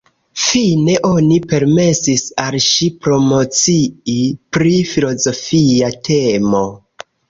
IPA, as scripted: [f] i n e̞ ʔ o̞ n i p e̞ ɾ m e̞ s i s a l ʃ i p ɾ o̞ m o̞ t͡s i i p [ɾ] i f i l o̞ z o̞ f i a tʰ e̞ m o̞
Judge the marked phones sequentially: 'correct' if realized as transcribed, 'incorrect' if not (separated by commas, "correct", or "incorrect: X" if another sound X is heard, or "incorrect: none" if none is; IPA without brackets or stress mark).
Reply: correct, correct